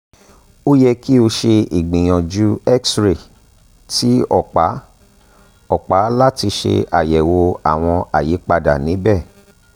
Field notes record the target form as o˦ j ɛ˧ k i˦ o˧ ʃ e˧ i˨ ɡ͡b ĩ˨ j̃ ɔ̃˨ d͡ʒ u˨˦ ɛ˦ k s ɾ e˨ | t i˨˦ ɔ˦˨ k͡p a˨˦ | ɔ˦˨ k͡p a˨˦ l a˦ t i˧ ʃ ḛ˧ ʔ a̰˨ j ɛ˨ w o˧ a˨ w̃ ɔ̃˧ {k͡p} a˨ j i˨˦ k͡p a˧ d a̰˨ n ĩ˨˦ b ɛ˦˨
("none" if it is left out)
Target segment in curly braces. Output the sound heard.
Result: none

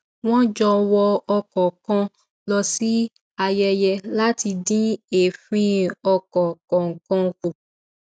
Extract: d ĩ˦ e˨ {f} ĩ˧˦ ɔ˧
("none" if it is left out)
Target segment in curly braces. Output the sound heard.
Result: f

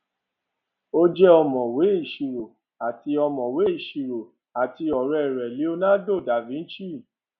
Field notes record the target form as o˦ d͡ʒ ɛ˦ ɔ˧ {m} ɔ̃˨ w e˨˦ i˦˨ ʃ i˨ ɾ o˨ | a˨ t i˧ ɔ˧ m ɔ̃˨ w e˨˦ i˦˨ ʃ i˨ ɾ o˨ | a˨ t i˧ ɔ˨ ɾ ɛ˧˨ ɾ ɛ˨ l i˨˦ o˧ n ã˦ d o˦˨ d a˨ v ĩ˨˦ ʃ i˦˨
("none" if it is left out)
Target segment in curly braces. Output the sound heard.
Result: m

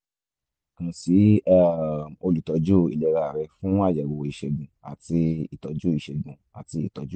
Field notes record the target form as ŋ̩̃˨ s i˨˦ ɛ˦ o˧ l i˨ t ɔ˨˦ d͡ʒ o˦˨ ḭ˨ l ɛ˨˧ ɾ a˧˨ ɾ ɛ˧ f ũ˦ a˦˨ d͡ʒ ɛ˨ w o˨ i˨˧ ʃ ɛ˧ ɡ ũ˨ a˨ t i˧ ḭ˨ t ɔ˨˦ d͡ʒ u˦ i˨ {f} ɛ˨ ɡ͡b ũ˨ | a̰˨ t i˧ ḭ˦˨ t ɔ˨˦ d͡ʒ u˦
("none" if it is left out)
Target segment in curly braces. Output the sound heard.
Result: ʃ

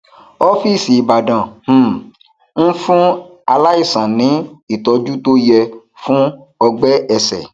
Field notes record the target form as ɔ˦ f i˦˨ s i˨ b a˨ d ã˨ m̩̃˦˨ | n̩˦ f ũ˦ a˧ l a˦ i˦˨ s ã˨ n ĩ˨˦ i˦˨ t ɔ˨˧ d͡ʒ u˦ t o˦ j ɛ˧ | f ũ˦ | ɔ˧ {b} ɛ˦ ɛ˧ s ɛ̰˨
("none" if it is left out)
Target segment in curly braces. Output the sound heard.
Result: ɡ͡b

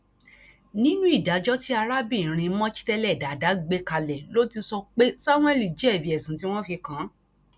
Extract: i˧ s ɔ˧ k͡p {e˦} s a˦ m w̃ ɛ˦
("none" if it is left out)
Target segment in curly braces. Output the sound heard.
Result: e˦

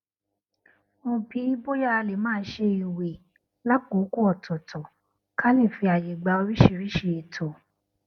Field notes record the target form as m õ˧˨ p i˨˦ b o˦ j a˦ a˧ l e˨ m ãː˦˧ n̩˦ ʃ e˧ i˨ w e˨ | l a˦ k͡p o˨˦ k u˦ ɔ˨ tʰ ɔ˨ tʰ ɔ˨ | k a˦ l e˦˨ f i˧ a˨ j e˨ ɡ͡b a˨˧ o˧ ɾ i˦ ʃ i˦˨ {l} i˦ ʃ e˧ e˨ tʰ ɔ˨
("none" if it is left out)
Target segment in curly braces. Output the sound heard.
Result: ɾ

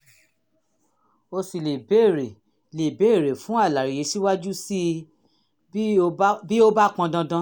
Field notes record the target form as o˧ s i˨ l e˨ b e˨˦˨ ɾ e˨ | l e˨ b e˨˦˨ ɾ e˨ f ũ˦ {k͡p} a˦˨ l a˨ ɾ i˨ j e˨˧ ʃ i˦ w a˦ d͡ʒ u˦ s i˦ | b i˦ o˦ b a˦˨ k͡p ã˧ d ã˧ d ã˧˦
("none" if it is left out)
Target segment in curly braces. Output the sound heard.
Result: none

